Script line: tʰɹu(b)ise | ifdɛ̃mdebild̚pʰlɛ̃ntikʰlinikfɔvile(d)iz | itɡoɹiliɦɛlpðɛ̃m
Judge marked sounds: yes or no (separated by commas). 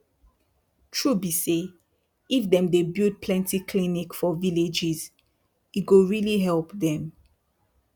yes, no